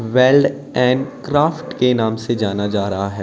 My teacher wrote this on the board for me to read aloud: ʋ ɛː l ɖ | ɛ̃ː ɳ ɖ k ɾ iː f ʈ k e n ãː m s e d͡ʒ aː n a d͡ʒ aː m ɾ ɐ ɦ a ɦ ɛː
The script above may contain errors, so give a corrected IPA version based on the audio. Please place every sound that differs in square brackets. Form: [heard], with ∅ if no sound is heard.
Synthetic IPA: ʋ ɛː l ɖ | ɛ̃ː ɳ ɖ k ɾ [aː] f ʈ k e n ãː m s e d͡ʒ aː n a d͡ʒ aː [∅] ɾ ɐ ɦ a ɦ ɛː